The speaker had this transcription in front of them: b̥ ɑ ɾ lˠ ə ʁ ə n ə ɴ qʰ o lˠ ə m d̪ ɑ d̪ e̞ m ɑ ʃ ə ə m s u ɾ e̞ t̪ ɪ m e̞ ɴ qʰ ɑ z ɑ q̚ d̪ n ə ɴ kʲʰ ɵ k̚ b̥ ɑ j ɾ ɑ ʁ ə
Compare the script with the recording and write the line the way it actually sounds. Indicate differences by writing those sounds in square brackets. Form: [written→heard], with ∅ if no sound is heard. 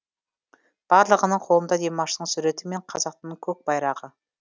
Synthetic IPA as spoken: b̥ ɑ ɾ lˠ ə ʁ ə n ə ɴ qʰ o lˠ ə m d̪ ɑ d̪ e̞ m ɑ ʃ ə ə [m→ɴ] s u ɾ e̞ t̪ ɪ m e̞ ɴ qʰ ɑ z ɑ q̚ [d̪→t̪] n ə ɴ kʲʰ ɵ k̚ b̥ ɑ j ɾ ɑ ʁ ə